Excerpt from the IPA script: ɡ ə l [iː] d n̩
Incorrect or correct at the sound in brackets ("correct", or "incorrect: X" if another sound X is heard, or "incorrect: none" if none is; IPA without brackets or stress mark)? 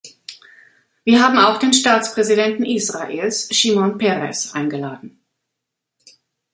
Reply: incorrect: aː